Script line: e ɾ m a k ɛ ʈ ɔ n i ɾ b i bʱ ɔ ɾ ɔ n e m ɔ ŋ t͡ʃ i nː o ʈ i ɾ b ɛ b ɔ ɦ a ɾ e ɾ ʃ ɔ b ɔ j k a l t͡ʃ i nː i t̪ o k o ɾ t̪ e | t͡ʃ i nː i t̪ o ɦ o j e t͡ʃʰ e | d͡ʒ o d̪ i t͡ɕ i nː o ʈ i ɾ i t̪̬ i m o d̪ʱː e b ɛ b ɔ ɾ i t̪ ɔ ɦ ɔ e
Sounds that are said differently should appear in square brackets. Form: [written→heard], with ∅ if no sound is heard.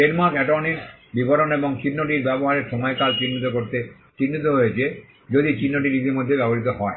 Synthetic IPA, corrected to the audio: e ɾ m a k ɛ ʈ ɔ n i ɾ b i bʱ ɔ ɾ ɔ n e [m→b] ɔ ŋ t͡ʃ i nː o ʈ i ɾ b ɛ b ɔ ɦ a ɾ e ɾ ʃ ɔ [b→m] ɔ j k a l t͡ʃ i nː i t̪ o k o ɾ t̪ e | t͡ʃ i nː i t̪ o ɦ o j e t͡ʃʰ e | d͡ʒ o d̪ i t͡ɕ i nː o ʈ i ɾ i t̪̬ i m o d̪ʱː e b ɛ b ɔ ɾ i t̪ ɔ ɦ ɔ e